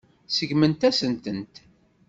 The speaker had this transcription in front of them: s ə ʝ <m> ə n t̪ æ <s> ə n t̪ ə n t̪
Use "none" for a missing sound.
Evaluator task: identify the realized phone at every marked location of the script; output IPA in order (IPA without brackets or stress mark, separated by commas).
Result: m, s